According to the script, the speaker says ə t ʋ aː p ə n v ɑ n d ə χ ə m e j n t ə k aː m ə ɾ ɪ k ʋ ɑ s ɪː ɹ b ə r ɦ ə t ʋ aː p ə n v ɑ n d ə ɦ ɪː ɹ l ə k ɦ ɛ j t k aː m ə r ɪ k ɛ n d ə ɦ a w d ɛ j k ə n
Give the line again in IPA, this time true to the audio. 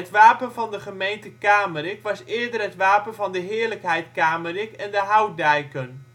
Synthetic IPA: ə t ʋ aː p ə n v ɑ n d ə χ ə m e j n t ə k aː m ə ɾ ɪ k ʋ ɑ s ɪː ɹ d ə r ɦ ə t ʋ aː p ə n v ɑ n d ə ɦ ɪː ɹ l ə k ɦ ɛ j t k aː m ə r ɪ k ɛ n d ə ɦ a w d ɛ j k ə n